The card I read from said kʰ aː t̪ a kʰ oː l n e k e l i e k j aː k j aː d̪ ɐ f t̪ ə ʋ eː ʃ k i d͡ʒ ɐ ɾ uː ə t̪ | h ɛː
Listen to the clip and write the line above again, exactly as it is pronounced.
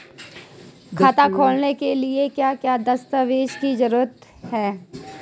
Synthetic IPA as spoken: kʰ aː t̪ a kʰ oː l n e k e l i e k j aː k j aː d̪ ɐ s t̪ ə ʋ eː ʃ k i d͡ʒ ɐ ɾ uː ə t̪ | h ɛː